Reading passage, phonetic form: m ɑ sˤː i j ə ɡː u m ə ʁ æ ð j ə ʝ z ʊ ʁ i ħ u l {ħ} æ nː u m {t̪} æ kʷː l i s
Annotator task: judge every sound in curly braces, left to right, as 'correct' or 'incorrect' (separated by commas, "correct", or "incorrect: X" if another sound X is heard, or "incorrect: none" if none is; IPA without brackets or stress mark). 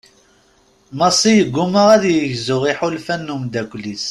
incorrect: f, incorrect: d̪